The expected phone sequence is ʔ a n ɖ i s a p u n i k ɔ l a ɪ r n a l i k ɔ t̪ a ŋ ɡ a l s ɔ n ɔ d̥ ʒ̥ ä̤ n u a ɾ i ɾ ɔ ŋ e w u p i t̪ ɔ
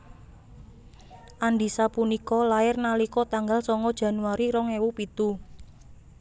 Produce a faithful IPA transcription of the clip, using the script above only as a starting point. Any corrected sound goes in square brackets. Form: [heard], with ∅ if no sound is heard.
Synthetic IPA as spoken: ʔ a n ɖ i s a p u n i k ɔ l a ɪ r n a l i k ɔ t̪ a ŋ ɡ a l s ɔ [ŋ] ɔ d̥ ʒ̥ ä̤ n u a ɾ i ɾ ɔ ŋ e w u p i t̪ [u]